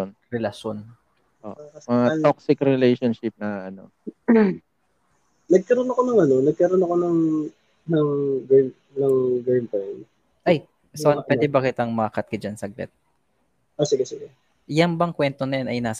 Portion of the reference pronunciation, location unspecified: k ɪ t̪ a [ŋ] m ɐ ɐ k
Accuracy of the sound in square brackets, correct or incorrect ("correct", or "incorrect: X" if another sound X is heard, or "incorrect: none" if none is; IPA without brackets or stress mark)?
correct